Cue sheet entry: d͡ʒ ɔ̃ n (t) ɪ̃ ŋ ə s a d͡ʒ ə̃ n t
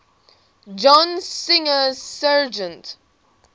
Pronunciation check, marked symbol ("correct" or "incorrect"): incorrect